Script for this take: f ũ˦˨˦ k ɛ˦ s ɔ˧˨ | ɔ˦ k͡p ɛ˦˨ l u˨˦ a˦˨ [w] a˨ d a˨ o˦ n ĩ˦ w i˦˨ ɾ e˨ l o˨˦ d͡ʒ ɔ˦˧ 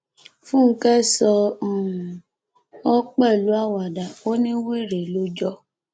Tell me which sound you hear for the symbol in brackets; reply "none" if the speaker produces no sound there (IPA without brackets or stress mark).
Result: w